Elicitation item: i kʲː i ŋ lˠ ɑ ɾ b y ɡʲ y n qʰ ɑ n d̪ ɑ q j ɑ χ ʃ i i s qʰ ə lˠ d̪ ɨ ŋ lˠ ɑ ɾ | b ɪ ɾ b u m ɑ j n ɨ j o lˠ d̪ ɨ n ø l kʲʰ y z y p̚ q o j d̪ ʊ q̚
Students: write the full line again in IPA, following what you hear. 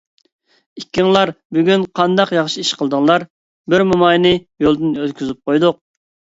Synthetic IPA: i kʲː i ŋ lˠ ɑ ɾ b y ɡʲ y n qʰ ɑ n d̪ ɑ q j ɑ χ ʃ i i ʃ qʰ ə lˠ d̪ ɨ ŋ lˠ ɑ ɾ | b ɪ ɾ m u m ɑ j n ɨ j o lˠ d̪ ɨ n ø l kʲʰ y z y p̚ q o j d̪ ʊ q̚